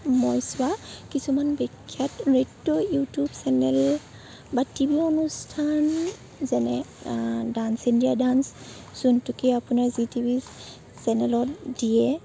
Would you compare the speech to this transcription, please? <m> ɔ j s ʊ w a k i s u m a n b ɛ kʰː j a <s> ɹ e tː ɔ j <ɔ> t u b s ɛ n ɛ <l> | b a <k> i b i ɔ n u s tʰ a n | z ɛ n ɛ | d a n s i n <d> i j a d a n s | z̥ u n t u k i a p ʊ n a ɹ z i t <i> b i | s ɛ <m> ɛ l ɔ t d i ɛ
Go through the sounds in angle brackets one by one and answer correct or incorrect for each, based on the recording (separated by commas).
correct, incorrect, incorrect, correct, incorrect, correct, correct, incorrect